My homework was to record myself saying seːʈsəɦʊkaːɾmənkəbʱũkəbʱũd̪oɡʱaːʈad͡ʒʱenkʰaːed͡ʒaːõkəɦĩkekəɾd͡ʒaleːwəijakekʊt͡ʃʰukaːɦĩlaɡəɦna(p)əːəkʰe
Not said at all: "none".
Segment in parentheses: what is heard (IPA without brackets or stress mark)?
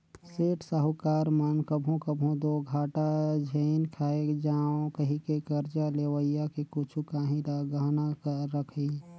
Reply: k